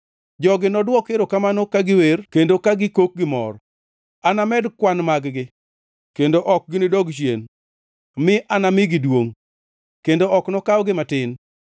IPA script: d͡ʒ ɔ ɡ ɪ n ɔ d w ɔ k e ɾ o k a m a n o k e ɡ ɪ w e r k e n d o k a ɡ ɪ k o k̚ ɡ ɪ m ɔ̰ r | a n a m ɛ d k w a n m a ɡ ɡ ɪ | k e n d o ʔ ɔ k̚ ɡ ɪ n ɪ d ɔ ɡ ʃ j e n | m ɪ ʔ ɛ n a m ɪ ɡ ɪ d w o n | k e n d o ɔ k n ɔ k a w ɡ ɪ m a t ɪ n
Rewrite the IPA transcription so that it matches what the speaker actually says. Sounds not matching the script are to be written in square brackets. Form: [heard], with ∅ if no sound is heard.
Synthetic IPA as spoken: d͡ʒ ɔ ɡ ɪ n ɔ d w ɔ k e ɾ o k a m a n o k [a] ɡ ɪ w e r k e n d o k a ɡ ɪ k o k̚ ɡ ɪ m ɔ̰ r | a n a m ɛ d k w a n m a ɡ ɡ ɪ | k e n d o ʔ ɔ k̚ ɡ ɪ n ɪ d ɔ ɡ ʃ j e n | m ɪ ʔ [a] n a m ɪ ɡ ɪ d w o [ŋ] | k e n d o ɔ k n ɔ k a w ɡ ɪ m a t ɪ n

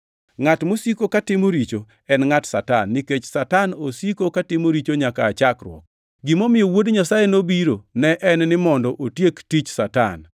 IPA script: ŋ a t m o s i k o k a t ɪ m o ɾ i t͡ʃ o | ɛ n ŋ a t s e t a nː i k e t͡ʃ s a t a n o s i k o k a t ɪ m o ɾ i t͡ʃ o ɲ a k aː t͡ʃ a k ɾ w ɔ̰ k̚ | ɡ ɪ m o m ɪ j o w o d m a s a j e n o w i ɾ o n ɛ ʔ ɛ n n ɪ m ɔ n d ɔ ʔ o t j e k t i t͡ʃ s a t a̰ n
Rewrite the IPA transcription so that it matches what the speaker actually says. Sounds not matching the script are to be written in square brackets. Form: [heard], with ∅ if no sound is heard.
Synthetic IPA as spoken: ŋ a t m o s i k o k a t ɪ m o ɾ i t͡ʃ o | ɛ n ŋ a t s [a] t a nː i k e t͡ʃ s a t a n o s i k o k a t ɪ m o ɾ i t͡ʃ o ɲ a k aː t͡ʃ a k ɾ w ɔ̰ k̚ | ɡ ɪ m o m ɪ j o w o d [ɲ] a s a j e n o [b] i ɾ o n ɛ ʔ ɛ n n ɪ m ɔ n d ɔ ʔ o t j e k t i t͡ʃ s a t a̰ n

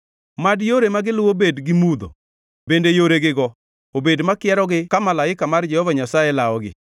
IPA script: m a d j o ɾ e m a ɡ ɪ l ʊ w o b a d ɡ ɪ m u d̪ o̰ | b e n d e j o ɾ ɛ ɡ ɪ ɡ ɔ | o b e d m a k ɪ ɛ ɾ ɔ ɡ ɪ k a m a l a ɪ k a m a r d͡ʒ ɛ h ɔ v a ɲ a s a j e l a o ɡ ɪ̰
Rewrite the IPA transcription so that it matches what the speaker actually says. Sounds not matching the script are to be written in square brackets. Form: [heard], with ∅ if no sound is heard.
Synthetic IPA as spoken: m a d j o ɾ e m a ɡ ɪ l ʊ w o b [e] d ɡ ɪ m u d̪ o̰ | b e n d e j o ɾ [e] ɡ ɪ ɡ ɔ | o b e d m a k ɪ ɛ ɾ ɔ ɡ ɪ k a m a l a ɪ k a m a r d͡ʒ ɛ h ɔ v a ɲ a s a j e l a [ɔ] ɡ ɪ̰

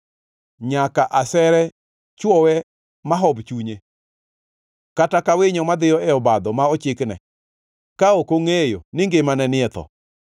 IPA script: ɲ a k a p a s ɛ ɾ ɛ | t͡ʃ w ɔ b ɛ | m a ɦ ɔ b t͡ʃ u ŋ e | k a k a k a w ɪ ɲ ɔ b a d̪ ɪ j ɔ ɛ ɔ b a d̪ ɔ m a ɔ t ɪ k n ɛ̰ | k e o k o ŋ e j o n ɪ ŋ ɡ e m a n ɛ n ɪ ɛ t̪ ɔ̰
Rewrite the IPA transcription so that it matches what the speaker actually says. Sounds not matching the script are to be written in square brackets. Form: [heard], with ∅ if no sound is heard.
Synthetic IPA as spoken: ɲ a k a [ʔ] a s ɛ ɾ ɛ | t͡ʃ w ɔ [w] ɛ | m a ɦ ɔ b t͡ʃ u [ɲ] e | k a [t] a k a w ɪ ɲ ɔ [m] a d̪ ɪ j ɔ ɛ ɔ b a d̪ ɔ m a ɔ [t͡ʃ] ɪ k n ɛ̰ | k [a] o k o ŋ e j o n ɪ ŋ ɡ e m a n ɛ n ɪ ɛ t̪ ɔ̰

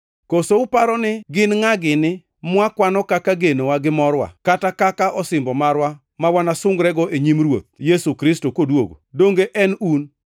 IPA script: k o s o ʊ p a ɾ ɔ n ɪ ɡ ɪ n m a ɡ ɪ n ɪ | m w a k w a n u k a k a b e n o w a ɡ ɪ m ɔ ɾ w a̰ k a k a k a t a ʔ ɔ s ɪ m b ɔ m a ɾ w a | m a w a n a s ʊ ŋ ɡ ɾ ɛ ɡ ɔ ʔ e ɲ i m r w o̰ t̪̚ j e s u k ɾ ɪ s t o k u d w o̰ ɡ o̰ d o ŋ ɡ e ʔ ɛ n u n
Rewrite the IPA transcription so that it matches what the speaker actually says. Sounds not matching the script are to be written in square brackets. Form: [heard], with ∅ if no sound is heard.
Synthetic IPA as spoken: k o s o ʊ p a ɾ ɔ n ɪ ɡ ɪ n [ŋ] a ɡ ɪ n ɪ | m w a k w a n [ɔ] k a k a [ɡ] e n o w a ɡ ɪ m ɔ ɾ w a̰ k a [t] a k a [k] a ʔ ɔ s ɪ m b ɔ m a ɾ w a | m a w a n a s ʊ ŋ ɡ ɾ ɛ ɡ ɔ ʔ e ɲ i m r w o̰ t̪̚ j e s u k ɾ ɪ s t o k [o] d w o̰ ɡ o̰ d o ŋ ɡ e ʔ ɛ n u n

